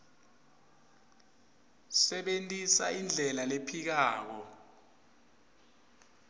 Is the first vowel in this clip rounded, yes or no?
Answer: no